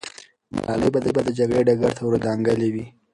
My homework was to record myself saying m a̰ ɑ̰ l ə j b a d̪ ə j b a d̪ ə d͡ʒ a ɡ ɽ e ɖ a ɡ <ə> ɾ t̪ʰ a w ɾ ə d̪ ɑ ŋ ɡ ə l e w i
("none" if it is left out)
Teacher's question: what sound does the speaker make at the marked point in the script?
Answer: a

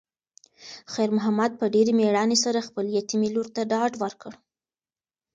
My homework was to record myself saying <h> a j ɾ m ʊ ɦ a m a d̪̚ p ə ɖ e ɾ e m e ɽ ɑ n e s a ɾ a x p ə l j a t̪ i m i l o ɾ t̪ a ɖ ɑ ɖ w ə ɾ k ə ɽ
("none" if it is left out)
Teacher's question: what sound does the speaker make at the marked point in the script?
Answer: x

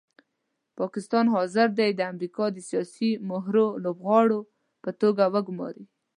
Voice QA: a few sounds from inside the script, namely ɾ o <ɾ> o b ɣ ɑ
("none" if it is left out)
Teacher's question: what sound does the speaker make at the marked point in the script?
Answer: l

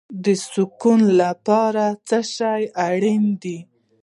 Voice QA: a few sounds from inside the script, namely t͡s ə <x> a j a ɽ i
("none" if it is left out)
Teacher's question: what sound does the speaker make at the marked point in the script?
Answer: ʃ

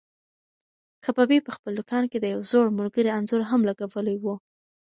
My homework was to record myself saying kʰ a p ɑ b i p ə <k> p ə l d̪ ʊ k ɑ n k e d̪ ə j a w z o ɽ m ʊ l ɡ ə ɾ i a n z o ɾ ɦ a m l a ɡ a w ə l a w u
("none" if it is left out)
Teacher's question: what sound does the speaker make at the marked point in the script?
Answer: x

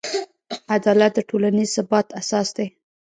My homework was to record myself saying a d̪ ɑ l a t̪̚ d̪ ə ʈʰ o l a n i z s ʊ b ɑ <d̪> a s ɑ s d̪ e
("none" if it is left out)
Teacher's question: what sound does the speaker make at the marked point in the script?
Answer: t̪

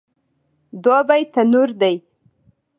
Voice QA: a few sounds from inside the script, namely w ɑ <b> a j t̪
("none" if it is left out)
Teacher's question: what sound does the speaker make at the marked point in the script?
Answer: b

